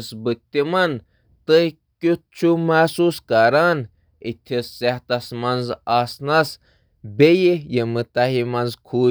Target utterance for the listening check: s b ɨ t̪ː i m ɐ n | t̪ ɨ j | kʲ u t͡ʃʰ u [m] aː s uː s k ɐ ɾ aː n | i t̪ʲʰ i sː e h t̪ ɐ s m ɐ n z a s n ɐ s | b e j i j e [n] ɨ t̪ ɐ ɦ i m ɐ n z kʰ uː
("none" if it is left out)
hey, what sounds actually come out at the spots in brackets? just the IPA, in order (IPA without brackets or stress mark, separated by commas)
m, m